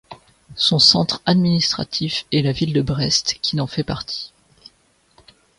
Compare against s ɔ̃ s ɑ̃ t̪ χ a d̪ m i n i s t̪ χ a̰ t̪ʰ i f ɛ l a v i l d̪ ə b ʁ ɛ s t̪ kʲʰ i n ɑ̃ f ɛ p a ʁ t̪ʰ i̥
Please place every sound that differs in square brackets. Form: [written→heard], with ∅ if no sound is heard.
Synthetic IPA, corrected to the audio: s ɔ̃ s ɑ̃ t̪ χ a d̪ m i n i s t̪ χ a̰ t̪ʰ i f ɛ l a v i l d̪ ə b ʁ ɛ s t̪ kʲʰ i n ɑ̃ f ɛ p a ʁ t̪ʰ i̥